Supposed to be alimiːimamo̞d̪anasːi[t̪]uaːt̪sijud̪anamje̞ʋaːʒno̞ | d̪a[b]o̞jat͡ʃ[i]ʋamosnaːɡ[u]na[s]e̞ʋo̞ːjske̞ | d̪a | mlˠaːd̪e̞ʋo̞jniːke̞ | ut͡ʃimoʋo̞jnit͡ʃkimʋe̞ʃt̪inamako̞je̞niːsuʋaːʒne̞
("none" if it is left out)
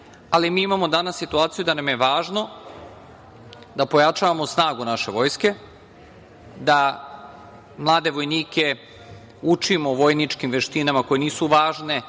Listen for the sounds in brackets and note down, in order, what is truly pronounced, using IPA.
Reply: t̪, p, a, u, ʃ

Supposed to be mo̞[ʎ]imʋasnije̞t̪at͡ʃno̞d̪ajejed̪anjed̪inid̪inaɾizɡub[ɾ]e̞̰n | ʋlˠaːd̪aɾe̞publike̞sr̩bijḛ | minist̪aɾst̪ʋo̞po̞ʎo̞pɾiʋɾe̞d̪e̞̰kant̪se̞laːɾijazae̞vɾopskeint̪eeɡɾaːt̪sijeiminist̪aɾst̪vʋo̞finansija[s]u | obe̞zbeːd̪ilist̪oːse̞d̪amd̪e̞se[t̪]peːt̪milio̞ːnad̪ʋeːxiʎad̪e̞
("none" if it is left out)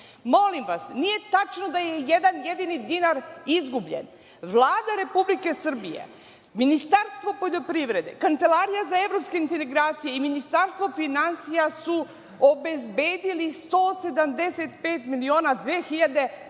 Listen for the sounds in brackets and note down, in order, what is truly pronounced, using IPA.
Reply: l, ʎ, s, t̪

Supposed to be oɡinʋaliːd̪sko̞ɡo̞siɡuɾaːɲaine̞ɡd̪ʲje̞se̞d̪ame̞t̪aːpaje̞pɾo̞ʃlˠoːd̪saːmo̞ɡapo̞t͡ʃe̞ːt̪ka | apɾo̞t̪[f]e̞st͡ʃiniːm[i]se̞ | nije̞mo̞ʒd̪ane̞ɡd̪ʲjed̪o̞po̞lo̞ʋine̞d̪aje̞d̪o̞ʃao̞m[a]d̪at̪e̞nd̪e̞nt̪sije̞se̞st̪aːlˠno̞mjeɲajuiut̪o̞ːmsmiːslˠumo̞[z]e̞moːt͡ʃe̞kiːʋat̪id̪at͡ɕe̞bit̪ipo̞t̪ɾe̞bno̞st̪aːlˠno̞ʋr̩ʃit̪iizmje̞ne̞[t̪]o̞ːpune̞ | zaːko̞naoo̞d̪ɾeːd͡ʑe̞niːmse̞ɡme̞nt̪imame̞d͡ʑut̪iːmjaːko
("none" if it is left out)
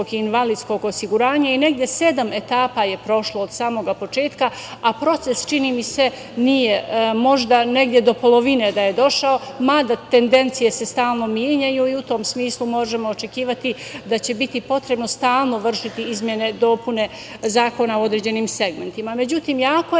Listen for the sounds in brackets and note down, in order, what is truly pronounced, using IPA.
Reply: s, i, a, ʒ, d̪

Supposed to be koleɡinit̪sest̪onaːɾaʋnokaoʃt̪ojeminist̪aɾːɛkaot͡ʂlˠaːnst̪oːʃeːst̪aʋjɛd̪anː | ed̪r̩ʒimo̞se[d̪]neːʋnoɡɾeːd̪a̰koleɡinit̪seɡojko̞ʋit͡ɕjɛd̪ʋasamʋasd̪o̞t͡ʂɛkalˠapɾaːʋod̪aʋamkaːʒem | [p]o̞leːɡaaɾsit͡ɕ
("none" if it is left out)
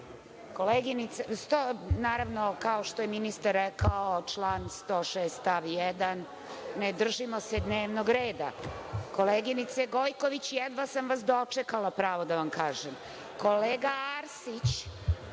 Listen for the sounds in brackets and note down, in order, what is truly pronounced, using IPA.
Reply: d̪, k

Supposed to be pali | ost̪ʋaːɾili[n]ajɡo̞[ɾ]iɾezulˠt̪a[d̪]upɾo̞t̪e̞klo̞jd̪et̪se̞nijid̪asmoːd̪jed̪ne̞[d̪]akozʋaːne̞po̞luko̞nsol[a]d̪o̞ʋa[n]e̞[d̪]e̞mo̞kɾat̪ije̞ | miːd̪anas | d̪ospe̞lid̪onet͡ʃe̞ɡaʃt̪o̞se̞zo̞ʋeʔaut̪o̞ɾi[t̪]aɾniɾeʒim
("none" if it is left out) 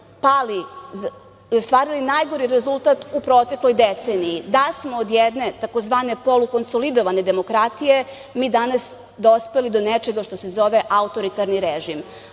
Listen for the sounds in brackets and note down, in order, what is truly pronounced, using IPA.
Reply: n, ɾ, t̪, t̪, i, n, d̪, t̪

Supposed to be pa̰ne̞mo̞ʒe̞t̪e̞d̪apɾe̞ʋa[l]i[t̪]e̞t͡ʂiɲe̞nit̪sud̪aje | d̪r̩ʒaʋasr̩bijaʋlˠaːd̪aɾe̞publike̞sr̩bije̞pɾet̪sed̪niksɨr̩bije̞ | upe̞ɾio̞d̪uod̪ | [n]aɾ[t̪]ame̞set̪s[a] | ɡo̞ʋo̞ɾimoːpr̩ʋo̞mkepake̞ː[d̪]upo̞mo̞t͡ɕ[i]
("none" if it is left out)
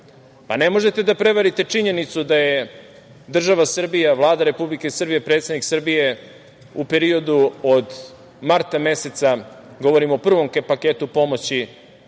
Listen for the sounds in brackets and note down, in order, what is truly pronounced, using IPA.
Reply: ɾ, t̪, m, t̪, a, t̪, i

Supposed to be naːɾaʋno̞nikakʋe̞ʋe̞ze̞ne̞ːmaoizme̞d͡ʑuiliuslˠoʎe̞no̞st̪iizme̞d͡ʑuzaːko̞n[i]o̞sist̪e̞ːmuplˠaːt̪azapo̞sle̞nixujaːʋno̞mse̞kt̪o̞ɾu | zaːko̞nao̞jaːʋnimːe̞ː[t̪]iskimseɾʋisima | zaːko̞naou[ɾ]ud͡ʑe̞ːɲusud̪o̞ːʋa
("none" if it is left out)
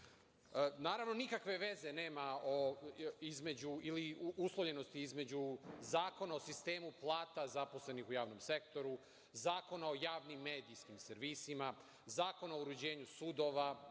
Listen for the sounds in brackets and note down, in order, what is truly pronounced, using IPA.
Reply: a, d̪, ɾ

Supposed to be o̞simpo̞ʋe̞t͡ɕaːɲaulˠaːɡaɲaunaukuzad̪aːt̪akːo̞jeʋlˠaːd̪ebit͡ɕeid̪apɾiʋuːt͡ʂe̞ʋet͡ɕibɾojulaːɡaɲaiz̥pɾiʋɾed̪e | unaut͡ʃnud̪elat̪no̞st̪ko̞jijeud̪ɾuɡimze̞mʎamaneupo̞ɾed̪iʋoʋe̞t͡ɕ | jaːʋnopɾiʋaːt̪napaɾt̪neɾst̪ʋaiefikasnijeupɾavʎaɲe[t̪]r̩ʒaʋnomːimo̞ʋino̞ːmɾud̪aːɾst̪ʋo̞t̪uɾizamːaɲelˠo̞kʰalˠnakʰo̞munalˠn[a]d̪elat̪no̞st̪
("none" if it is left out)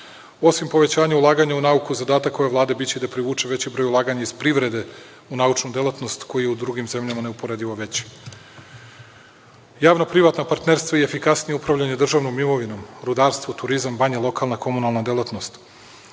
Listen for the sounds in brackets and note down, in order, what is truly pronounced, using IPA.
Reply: d̪, a

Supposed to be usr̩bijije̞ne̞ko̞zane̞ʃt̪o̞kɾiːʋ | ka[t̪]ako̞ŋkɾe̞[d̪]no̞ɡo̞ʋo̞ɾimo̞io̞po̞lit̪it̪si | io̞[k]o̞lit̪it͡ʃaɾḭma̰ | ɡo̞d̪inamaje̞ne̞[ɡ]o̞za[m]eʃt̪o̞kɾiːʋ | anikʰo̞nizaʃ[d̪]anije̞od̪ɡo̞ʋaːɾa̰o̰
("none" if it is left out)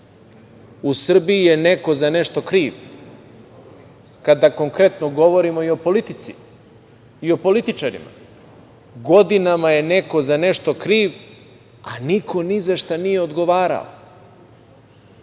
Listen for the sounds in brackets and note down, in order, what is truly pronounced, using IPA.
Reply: d̪, t̪, p, k, n, t̪

